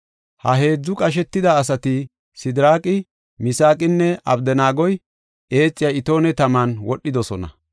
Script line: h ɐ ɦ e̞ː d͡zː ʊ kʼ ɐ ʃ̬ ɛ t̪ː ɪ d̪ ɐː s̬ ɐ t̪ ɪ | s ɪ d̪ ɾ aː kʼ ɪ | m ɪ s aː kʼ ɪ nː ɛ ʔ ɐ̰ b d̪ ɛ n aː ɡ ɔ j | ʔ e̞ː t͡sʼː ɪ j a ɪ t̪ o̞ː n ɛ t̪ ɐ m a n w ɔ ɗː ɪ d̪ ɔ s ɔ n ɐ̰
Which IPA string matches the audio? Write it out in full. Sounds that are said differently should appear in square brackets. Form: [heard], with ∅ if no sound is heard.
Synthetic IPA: h ɐ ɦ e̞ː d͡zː ʊ kʼ ɐ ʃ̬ ɛ t̪ː ɪ d̪ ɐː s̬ ɐ t̪ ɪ | s ɪ d̪ ɾ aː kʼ ɪ | m ɪ s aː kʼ ɪ nː ɛ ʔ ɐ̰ b d̪ ɛ n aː ɡ ɔ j | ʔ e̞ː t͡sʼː ɪ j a ɪ t̪ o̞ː n ɛ t̪ ɐ m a n w ɔ ɗː ɪ d̪ ɔ s ɔ n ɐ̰

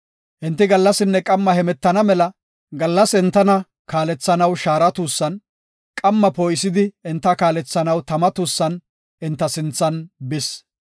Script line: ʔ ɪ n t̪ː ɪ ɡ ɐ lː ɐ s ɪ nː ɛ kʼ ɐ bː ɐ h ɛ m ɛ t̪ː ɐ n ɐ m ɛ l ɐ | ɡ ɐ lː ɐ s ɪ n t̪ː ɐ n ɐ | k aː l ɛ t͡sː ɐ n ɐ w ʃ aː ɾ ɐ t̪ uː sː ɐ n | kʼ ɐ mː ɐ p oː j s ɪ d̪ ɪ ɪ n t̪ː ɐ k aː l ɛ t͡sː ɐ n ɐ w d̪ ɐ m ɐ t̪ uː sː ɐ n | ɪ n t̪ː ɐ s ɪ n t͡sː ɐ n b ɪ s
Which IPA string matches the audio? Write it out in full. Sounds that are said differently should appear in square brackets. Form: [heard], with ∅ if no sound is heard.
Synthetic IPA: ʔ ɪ n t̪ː ɪ ɡ ɐ lː ɐ s ɪ nː ɛ kʼ ɐ [mː] ɐ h ɛ m ɛ t̪ː ɐ n ɐ m ɛ l ɐ | ɡ ɐ lː ɐ s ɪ n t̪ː ɐ n ɐ | k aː l ɛ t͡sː ɐ n ɐ w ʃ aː ɾ ɐ t̪ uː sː ɐ n | kʼ ɐ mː ɐ p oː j s ɪ d̪ ɪ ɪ n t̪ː ɐ k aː l ɛ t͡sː ɐ n ɐ w [t̪] ɐ m ɐ t̪ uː sː ɐ n | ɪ n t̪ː ɐ s ɪ n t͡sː ɐ n b ɪ s

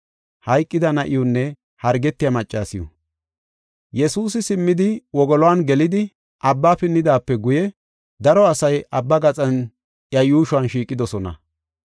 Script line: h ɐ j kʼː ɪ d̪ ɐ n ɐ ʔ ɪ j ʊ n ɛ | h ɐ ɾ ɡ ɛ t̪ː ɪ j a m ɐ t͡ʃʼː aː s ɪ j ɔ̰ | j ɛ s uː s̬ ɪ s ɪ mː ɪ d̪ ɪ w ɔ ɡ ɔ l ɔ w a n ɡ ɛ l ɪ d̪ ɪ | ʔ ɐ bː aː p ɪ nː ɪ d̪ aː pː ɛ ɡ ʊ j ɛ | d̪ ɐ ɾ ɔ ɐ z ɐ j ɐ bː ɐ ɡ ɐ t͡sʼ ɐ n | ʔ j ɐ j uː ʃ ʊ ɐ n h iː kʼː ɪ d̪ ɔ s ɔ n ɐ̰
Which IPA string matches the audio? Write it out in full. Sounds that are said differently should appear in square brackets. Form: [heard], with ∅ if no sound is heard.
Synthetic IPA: h ɐ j kʼː ɪ d̪ ɐ n ɐ ʔ ɪ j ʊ [nː] ɛ | h ɐ ɾ ɡ ɛ t̪ː ɪ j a m ɐ t͡ʃʼː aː s ɪ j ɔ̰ | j ɛ s uː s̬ ɪ s ɪ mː ɪ d̪ ɪ w ɔ ɡ ɔ l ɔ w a n ɡ ɛ l ɪ d̪ ɪ | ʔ ɐ bː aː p ɪ nː ɪ d̪ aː pː ɛ ɡ ʊ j ɛ | d̪ ɐ ɾ ɔ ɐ [s] ɐ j ɐ bː ɐ ɡ ɐ t͡sʼ ɐ n | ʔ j ɐ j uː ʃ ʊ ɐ n [ʃ] iː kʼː ɪ d̪ ɔ s ɔ n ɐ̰

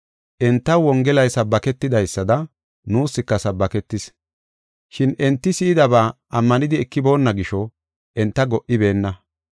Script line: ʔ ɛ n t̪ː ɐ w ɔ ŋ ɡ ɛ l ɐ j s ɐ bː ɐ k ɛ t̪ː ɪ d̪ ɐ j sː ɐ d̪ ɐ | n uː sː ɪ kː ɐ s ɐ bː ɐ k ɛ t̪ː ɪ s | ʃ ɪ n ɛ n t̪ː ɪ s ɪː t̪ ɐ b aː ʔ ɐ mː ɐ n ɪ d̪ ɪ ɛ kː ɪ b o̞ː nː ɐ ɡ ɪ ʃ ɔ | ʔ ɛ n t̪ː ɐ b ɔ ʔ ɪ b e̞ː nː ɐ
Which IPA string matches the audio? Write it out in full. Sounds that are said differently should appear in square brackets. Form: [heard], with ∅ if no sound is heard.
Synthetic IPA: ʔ ɛ n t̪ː ɐ w ɔ ŋ ɡ ɛ l ɐ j s ɐ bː ɐ k ɛ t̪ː ɪ d̪ ɐ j sː ɐ d̪ ɐ | n uː sː ɪ kː ɐ s ɐ bː ɐ k ɛ t̪ː ɪ s | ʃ ɪ n ɛ n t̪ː ɪ s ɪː [d̪] ɐ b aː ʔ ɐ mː ɐ n ɪ d̪ ɪ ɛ kː ɪ b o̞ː nː ɐ ɡ ɪ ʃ ɔ | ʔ ɛ n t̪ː ɐ [ɡ] ɔ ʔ ɪ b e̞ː nː ɐ

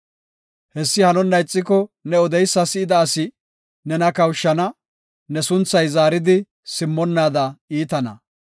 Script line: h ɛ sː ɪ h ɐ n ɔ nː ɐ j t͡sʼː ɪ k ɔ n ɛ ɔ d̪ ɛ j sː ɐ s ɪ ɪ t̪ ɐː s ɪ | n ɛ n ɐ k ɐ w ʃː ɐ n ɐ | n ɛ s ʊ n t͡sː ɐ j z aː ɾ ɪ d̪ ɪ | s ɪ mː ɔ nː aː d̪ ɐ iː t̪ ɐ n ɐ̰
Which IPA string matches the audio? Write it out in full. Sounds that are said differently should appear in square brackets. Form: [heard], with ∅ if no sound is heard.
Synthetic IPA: h ɛ sː ɪ h ɐ n ɔ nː ɐ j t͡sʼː ɪ k ɔ n ɛ ɔ d̪ ɛ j sː ɐ s ɪ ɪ [d̪] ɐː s ɪ | n ɛ n ɐ k ɐ w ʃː ɐ n ɐ | n ɛ s ʊ n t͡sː ɐ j z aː ɾ ɪ d̪ ɪ | s ɪ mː ɔ nː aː d̪ ɐ iː t̪ ɐ n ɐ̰

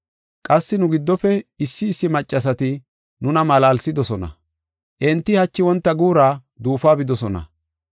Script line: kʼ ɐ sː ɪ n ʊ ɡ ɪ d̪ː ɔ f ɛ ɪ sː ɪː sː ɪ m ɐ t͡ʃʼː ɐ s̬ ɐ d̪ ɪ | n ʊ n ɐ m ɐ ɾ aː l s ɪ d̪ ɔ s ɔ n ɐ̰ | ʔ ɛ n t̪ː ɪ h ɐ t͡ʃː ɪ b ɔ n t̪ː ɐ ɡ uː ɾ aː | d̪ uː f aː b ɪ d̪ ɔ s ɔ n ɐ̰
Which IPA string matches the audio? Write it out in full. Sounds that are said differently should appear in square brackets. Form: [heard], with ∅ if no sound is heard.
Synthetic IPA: kʼ ɐ sː ɪ n ʊ ɡ ɪ d̪ː ɔ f ɛ ɪ sː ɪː sː ɪ m ɐ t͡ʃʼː ɐ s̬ ɐ [t̪] ɪ | n ʊ n ɐ m ɐ [l] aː l s ɪ d̪ ɔ s ɔ n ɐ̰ | ʔ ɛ n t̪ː ɪ h ɐ t͡ʃː ɪ [w] ɔ n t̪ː ɐ ɡ uː ɾ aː | d̪ uː f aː b ɪ d̪ ɔ s ɔ n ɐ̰

